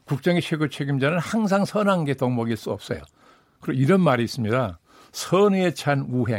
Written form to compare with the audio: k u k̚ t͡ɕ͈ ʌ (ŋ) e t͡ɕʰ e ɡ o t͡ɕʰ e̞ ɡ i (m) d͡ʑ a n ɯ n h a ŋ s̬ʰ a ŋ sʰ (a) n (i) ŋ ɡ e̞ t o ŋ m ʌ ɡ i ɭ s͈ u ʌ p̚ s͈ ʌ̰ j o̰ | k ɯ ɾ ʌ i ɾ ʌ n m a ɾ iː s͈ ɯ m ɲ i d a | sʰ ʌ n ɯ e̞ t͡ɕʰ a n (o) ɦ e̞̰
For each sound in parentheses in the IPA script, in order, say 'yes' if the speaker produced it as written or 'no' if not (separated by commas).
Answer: yes, yes, no, no, no